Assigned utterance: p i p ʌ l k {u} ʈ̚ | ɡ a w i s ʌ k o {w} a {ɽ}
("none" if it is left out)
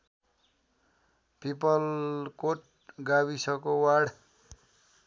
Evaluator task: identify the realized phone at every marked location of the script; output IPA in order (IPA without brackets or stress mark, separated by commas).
o, w, ɽ